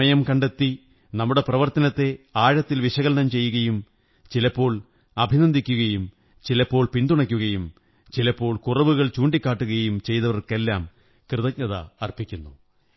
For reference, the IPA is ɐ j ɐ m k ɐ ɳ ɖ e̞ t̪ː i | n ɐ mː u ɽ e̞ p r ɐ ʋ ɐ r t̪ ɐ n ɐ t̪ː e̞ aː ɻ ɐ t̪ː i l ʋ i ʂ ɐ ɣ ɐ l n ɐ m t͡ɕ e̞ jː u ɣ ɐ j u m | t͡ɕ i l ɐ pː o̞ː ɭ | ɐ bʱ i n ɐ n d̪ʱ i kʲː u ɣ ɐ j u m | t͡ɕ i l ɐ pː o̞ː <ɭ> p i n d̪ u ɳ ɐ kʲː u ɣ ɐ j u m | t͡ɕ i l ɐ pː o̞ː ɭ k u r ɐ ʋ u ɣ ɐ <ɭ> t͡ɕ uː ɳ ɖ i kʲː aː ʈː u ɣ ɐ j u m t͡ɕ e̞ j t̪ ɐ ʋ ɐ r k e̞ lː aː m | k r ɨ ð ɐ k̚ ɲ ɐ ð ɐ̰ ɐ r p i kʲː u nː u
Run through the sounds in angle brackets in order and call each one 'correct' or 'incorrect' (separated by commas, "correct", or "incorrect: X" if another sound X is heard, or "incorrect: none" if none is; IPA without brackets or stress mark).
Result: correct, correct